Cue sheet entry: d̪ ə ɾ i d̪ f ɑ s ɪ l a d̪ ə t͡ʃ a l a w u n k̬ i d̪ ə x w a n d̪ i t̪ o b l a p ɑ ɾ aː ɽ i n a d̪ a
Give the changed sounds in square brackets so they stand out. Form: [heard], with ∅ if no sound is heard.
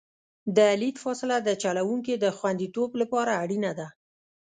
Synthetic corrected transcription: d̪ ə [l] i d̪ f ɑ s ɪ l a d̪ ə t͡ʃ a l a w u [ŋ] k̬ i d̪ ə x w a n d̪ i t̪ o b l a p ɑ ɾ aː ɽ i n a d̪ a